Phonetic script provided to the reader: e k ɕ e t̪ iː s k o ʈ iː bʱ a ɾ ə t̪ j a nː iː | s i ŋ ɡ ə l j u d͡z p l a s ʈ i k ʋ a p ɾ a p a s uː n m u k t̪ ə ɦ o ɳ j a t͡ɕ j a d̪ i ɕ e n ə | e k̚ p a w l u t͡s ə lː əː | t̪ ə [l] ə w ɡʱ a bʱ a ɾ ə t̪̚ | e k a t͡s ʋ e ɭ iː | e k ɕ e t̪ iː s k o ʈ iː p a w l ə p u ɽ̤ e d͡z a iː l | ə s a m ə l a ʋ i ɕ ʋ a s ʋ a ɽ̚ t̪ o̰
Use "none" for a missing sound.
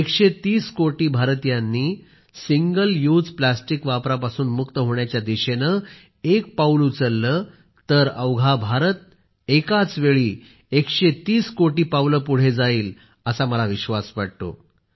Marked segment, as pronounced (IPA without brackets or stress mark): ɾ